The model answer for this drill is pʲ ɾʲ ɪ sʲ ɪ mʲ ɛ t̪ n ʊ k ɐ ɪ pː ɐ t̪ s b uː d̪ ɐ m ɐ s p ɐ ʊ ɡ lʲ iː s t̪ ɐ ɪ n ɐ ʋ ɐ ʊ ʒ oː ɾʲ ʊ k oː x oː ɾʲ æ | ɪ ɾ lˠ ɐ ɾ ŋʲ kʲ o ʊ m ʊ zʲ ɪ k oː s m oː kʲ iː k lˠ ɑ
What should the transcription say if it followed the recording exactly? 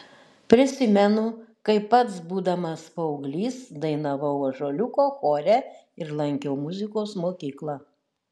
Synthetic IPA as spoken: pʲ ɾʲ ɪ sʲ ɪ mʲ ɛ n ʊ k ɐ ɪ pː ɐ t̪ s b uː d̪ ɐ m ɐ s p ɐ ʊ ɡ lʲ iː s d̪ ɐ ɪ n ɐ ʋ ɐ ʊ ʒ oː lʲ ʊ k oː x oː ɾʲ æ | ɪ ɾ lˠ ɐ ŋʲ kʲ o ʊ m ʊ zʲ ɪ k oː s m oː kʲ iː k lˠ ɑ